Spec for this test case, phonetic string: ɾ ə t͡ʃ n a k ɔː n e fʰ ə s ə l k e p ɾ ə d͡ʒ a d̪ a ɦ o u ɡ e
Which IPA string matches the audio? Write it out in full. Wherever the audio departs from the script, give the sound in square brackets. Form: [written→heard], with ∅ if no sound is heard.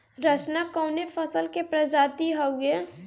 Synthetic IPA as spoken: ɾ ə t͡ʃ n a k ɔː n e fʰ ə s ə l k e p ɾ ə d͡ʒ a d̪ [a→i] ɦ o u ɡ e